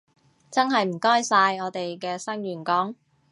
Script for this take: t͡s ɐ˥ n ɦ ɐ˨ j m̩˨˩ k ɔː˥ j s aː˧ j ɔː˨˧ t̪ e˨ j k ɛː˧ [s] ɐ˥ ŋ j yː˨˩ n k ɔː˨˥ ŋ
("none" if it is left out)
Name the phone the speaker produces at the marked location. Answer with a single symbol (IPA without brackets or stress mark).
s